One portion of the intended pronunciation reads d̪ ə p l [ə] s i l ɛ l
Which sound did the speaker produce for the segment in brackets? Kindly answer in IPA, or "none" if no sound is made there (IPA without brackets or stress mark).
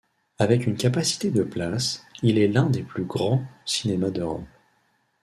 a